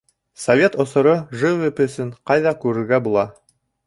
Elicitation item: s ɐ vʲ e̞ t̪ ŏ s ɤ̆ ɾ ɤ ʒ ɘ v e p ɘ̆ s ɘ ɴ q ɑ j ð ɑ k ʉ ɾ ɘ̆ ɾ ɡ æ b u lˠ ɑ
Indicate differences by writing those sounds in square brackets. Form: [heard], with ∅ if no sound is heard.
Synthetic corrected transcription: s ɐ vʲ e̞ t̪ ŏ s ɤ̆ ɾ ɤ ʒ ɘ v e p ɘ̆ s ɘ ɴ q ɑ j ð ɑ k ʉ ɾ ɘ̆ ɾ ɡ æ b u lˠ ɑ